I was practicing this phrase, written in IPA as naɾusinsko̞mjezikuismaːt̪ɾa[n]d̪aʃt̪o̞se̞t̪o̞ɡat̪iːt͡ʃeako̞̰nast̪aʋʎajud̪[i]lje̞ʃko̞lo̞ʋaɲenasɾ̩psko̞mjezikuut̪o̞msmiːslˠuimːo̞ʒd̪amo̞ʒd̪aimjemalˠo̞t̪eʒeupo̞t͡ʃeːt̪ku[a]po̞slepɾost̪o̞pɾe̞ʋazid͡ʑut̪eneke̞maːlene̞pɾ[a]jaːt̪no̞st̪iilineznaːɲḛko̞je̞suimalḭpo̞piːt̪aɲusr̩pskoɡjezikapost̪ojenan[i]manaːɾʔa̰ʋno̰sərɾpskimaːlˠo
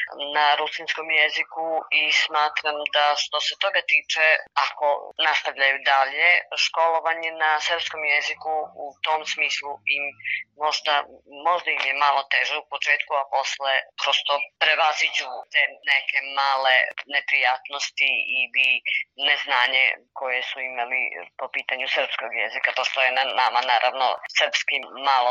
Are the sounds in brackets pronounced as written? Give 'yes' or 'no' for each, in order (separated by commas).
no, no, yes, no, no